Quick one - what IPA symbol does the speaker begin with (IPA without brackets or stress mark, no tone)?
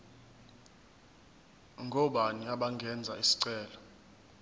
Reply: ŋ